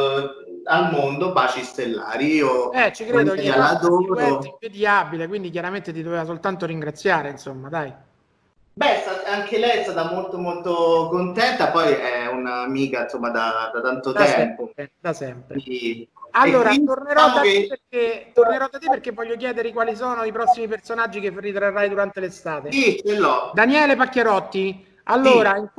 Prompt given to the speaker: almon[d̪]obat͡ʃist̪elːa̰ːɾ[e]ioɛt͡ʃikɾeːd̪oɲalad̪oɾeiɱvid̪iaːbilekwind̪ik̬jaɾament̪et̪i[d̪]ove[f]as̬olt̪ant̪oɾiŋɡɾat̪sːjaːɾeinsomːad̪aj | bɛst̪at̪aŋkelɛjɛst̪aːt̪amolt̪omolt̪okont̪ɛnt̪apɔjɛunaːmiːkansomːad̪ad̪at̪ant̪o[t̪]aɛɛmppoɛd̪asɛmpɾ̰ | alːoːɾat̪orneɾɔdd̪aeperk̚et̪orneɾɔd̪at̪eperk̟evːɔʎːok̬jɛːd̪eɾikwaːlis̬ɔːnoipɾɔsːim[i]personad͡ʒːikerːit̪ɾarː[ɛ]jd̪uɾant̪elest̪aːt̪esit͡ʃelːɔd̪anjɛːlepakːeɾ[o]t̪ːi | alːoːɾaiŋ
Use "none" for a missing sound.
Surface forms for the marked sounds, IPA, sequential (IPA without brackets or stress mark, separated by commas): d̪, i, d̪, v, t̪, i, a, ɔ